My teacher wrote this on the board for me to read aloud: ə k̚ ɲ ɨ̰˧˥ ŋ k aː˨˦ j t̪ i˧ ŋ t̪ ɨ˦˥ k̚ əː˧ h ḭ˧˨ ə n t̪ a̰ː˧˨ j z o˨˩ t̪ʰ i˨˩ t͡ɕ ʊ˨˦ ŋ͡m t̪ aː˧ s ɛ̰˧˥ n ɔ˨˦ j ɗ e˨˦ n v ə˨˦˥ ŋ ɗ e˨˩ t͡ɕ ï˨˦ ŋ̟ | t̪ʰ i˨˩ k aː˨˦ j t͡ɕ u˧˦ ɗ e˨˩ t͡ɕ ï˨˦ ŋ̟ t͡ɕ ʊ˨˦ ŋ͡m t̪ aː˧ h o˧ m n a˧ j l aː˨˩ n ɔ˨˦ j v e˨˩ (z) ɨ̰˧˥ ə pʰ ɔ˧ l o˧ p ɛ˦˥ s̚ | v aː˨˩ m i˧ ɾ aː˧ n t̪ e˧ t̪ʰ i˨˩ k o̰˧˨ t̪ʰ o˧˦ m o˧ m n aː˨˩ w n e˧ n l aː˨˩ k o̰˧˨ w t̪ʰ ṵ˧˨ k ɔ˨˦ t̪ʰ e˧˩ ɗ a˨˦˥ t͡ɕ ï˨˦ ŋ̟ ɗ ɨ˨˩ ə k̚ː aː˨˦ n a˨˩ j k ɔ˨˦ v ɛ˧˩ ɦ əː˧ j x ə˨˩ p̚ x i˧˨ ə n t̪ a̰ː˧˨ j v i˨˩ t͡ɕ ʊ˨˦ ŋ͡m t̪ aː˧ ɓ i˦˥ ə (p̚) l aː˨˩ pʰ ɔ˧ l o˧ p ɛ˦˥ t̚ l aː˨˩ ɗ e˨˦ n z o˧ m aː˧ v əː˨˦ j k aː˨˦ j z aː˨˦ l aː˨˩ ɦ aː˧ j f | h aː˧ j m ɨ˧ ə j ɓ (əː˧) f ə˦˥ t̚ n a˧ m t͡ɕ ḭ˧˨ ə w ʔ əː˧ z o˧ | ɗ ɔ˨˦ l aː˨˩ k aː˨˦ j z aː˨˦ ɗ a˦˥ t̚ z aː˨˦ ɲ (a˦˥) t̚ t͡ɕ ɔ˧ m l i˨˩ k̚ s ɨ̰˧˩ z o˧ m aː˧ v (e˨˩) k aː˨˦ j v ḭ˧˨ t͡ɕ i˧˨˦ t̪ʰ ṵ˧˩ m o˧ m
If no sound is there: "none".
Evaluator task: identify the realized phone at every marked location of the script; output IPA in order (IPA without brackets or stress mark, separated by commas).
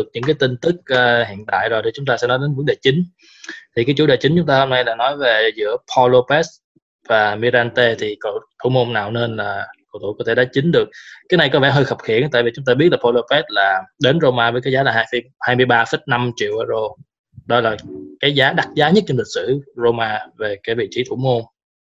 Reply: z, t̚, aː˧, ə˦˥, e˨˩